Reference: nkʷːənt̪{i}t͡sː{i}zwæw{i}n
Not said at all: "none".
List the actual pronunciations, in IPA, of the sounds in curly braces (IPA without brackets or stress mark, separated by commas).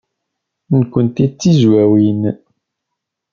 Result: i, i, i